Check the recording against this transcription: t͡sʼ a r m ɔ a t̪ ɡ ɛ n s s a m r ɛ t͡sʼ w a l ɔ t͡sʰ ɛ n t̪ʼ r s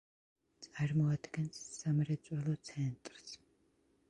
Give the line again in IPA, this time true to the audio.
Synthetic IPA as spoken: t͡sʼ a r m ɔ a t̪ ɡ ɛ n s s a m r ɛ t͡sʼ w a l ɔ t͡sʰ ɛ n t̪ʼ r s